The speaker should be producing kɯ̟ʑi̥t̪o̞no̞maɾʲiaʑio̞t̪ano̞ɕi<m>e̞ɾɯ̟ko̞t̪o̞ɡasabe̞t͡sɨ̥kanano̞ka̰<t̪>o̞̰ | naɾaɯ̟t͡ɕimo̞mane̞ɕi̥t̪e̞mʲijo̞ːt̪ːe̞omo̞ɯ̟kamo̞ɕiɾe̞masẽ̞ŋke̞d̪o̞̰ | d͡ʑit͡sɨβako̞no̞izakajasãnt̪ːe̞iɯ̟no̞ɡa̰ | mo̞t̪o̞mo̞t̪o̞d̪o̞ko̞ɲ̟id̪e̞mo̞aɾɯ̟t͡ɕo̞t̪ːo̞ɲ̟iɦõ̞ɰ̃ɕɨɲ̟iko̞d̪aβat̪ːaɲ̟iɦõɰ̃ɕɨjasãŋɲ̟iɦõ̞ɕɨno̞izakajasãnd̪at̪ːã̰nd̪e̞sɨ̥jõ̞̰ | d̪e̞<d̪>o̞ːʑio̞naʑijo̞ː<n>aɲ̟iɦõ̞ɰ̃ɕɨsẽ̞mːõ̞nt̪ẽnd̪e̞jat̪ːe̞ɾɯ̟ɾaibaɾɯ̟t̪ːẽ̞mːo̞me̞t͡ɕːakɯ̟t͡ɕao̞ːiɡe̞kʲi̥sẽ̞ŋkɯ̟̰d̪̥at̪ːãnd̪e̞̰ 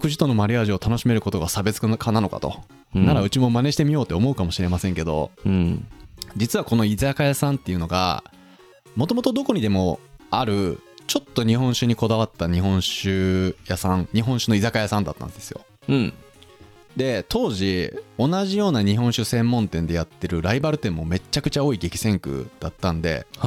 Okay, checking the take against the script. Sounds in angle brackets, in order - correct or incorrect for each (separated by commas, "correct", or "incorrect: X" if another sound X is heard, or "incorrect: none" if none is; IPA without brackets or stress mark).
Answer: correct, correct, incorrect: t̪, correct